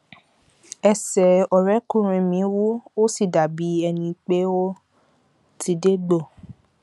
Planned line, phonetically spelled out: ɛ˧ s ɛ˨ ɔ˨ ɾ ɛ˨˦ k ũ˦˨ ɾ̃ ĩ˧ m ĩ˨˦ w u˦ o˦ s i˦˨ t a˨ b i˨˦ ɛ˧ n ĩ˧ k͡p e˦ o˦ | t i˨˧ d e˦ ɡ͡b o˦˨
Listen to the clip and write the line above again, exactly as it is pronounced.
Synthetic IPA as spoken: ɛ˧ s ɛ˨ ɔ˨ ɾ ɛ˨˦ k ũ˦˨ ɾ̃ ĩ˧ m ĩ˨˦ w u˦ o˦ s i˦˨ d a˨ b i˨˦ ɛ˧ n ĩ˧ k͡p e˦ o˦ | t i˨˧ d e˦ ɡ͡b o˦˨